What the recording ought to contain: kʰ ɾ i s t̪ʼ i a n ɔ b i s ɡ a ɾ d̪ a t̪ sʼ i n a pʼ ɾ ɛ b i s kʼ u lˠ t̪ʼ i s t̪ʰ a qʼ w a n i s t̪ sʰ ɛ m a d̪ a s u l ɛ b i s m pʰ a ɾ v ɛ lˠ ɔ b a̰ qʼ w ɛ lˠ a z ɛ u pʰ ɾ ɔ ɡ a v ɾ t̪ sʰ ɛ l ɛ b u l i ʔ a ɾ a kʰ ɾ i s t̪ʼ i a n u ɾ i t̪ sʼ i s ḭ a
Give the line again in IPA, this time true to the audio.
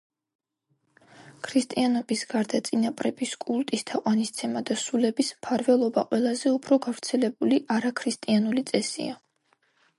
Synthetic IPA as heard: kʰ ɾ i s t̪ʼ i a n ɔ b i s ɡ a ɾ d̪ a t̪ sʼ i n a pʼ ɾ ɛ b i s kʼ u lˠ t̪ʼ i s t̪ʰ a qʼ w a n i s t̪ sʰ ɛ m a d̪ a s u l ɛ b i s m pʰ a ɾ v ɛ lˠ ɔ b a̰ qʼ w ɛ lˠ a z ɛ u pʰ ɾ ɔ ɡ a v ɾ t̪ sʰ ɛ l ɛ b u l i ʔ a ɾ a kʰ ɾ i s t̪ʼ i a n u l i t̪ sʼ ɛ s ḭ a